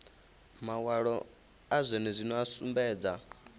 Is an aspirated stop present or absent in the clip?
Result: absent